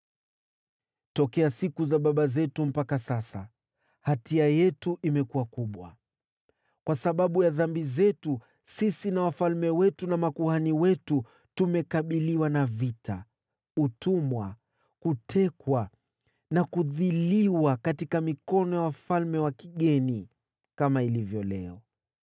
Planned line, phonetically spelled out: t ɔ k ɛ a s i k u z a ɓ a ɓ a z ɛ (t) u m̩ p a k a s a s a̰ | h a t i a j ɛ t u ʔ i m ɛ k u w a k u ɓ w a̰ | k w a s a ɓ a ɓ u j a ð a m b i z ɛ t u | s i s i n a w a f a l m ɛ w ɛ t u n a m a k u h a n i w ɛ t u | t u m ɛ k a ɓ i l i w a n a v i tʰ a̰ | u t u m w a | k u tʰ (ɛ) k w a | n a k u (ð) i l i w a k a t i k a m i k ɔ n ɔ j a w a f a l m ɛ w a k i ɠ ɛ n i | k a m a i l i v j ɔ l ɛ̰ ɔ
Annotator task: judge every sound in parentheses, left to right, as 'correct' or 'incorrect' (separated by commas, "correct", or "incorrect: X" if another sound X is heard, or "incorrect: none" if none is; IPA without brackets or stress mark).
correct, correct, correct